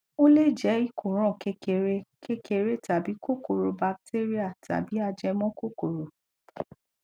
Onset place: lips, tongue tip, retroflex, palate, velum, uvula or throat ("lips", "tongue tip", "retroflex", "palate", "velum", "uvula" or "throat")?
tongue tip